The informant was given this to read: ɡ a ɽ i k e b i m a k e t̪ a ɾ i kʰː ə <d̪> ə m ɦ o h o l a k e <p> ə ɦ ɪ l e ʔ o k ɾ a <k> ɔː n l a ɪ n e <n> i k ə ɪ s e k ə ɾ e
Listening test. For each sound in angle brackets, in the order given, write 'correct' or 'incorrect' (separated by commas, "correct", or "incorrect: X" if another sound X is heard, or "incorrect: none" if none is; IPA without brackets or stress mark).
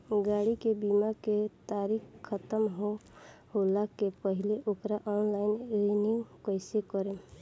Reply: incorrect: t̪, correct, incorrect: ʔ, correct